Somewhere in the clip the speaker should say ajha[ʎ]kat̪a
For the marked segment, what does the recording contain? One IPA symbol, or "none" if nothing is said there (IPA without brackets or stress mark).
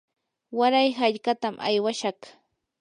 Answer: ʎ